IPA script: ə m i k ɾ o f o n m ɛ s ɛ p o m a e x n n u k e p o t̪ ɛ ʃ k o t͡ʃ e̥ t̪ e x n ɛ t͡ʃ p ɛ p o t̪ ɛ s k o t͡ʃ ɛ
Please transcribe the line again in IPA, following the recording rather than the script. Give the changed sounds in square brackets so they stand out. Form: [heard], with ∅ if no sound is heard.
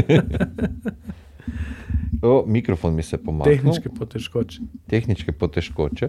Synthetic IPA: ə m i k ɾ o f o n m [i] s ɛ p o m a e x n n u k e p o t̪ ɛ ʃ k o t͡ʃ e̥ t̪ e x n [i] t͡ʃ [k] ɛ p o t̪ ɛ [ʃ] k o t͡ʃ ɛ